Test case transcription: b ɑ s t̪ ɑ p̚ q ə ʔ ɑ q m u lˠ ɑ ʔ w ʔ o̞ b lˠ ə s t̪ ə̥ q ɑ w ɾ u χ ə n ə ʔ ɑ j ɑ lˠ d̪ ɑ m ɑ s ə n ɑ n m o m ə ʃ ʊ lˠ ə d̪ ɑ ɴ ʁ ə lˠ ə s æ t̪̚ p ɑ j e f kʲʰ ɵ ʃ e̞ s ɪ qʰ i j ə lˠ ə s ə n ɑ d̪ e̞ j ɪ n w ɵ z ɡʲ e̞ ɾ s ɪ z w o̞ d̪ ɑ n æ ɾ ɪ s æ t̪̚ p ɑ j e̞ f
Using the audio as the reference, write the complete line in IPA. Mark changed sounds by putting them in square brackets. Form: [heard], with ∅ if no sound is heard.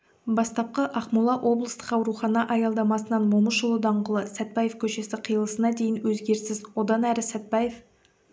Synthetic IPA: b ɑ s t̪ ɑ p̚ q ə ʔ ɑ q m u lˠ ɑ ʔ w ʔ o̞ b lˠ ə s t̪ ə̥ q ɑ w ɾ u χ [ɑ] n [ɑ] ʔ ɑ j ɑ lˠ d̪ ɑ m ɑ s ə n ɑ n m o m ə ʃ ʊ lˠ ə d̪ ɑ ɴ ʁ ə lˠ ə s æ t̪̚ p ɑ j e f kʲʰ ɵ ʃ e̞ s ɪ qʰ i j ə lˠ ə s ə n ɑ d̪ e̞ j ɪ n w ɵ z ɡʲ e̞ ɾ s ɪ z w o̞ d̪ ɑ n æ ɾ ɪ s æ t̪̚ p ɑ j e̞ f